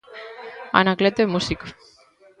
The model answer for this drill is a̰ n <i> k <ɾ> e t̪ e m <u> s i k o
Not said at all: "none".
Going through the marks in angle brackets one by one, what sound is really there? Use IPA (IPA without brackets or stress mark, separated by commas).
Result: a, l, u